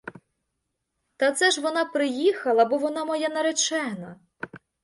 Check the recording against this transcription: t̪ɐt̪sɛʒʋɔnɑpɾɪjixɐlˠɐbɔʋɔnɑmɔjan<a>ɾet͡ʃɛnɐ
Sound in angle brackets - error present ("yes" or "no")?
yes